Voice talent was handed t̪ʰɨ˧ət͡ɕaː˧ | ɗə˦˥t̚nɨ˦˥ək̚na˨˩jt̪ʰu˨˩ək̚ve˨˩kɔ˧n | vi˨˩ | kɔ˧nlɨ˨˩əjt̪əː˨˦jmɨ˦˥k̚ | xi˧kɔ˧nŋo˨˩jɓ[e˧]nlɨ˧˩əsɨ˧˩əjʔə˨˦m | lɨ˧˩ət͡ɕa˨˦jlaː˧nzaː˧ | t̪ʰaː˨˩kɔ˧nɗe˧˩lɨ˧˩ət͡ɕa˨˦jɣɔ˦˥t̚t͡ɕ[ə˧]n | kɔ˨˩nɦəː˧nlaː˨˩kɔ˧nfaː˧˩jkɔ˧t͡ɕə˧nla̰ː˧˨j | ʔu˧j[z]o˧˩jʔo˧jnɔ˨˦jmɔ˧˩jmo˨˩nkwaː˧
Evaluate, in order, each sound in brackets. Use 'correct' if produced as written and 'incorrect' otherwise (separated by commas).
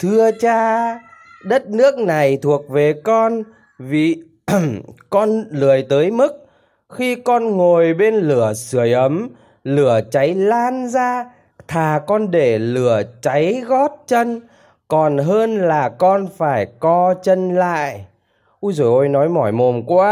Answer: correct, correct, correct